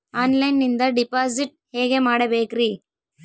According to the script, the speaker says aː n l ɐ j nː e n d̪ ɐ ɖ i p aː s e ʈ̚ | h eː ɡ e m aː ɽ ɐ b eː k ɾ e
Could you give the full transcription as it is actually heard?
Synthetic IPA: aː n l ɐ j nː i n d̪ ɐ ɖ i p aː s i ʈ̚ | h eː ɡ e m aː ɽ ɐ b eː k ɾ i